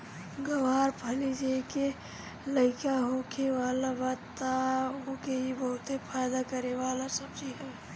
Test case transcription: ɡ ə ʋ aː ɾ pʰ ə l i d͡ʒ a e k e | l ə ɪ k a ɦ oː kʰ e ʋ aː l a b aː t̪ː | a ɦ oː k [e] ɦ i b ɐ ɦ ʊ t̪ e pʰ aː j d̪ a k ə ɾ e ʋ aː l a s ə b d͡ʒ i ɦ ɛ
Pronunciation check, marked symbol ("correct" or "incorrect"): correct